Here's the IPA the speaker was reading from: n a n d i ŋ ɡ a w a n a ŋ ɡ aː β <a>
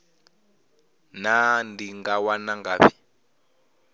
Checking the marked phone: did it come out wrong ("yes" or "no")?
yes